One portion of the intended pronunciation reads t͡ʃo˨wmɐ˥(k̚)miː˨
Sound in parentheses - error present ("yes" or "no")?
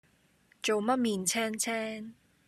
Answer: yes